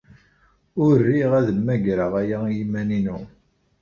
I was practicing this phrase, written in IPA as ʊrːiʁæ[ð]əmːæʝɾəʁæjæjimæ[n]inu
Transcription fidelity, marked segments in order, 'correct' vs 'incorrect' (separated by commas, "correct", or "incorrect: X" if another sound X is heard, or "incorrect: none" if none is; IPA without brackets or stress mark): correct, correct